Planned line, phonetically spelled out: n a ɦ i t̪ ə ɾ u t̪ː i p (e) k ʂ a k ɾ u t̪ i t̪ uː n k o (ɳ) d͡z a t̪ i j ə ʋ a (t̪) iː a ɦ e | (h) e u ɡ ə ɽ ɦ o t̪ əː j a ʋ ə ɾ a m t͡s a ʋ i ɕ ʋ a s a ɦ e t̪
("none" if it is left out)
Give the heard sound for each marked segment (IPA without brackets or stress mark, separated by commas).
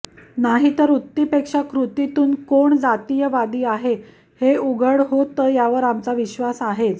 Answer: e, ɳ, d̪, h